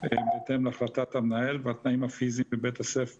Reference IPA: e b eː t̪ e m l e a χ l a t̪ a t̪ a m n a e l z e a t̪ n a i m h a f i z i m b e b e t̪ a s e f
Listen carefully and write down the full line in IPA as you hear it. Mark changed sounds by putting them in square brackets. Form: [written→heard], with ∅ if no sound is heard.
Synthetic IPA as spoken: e b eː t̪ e m l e a χ l a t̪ a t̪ a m n a e l [z→v] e a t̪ n a i m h a f i z i m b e b e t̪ a s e f